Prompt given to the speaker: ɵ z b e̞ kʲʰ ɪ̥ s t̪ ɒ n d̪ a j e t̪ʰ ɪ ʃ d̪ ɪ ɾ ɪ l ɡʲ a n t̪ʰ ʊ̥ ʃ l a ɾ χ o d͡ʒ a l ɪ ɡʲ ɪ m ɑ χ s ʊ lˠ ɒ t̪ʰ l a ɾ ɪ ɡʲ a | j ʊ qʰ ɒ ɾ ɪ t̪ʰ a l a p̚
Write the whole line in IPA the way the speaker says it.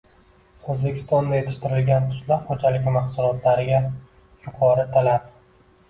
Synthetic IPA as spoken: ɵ z b e̞ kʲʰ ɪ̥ s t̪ ɒ n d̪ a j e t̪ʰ ɪ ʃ t̪ ɪ ɾ ɪ l ɡʲ a n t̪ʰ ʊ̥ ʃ l a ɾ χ o d͡ʒ a l ɪ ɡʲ ɪ m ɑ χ s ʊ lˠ ɒ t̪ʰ l a ɾ ɪ ɡʲ a | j ʊ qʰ ɒ ɾ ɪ t̪ʰ a l a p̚

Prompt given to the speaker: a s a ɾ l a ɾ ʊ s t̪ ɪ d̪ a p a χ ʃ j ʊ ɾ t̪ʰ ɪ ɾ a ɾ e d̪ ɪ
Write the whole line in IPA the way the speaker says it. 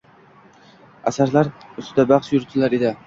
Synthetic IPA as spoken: a s a ɾ l a ɾ ʊ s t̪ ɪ d̪ a b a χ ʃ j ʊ ɾ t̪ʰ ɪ l a ɾ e d̪ ɪ

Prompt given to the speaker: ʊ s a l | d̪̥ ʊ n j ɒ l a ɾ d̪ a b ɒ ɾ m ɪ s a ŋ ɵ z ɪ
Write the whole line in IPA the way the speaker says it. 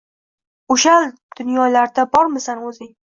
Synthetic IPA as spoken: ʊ ʃ a l | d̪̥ ʊ n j ɒ l a ɾ d̪ a b ɒ ɾ m ɪ s a n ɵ z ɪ

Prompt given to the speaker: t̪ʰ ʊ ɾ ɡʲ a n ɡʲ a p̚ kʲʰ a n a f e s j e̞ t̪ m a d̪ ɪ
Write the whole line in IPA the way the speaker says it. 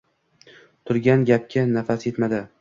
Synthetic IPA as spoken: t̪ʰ ʊ ɾ ɡʲ a n ɡʲ a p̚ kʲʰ a n a f a s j e̞ t̪ m a d̪ ɪ

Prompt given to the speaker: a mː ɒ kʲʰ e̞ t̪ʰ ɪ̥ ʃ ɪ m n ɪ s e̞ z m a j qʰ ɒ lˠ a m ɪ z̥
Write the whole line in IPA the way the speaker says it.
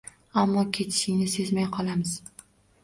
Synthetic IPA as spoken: a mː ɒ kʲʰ e̞ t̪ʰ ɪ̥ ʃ ɪ ŋ n ɪ s e̞ z m a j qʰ ɒ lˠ a m ɪ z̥

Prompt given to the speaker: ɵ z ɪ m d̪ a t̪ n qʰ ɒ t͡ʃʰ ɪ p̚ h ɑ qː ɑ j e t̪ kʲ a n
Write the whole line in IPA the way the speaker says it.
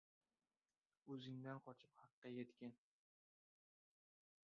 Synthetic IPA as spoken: ɵ z ɪ ŋ d̪ a n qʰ ɒ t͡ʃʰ ɪ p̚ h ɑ qː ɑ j e t̪ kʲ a n

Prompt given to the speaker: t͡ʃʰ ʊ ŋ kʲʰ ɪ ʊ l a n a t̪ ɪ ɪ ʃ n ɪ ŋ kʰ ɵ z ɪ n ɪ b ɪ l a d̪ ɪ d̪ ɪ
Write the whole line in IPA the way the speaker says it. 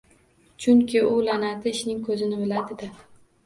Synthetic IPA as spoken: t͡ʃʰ ʊ ŋ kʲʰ ɪ ʊ l a n a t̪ ɪ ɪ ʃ n ɪ ŋ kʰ ɵ z ɪ n ɪ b ɪ l a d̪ ɪ d̪ ɪ

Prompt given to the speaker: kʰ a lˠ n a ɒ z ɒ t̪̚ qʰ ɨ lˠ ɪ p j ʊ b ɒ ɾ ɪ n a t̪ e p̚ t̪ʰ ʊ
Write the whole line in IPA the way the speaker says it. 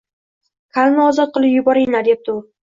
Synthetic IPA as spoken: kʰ a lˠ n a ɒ z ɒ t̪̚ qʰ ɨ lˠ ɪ p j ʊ b ɒ ɾ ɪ n a d̪ e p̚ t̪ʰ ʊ

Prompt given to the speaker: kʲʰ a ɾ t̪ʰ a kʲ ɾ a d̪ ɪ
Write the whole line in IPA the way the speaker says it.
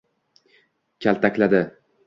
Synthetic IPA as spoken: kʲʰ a l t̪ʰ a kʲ l a d̪ ɪ

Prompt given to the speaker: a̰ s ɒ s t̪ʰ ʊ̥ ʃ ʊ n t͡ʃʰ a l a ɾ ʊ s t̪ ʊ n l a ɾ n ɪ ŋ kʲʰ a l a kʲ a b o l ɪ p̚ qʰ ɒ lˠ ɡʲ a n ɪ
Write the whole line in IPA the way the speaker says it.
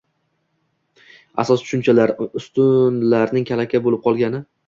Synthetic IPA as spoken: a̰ s ɒ s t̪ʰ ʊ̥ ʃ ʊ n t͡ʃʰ a l a ɾ ʊ s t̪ ʊ n l a ɾ n ɪ ŋ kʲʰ a l a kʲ a b o l ɪ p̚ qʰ ɒ lˠ ɡʲ a n ɪ

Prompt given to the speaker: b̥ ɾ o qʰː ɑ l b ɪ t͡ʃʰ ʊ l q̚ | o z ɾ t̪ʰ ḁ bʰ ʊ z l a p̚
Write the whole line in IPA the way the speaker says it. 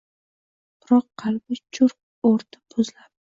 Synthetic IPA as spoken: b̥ ɾ ɒ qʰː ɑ l b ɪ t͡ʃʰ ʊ ɾ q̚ | o ɾ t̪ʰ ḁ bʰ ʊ z l a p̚

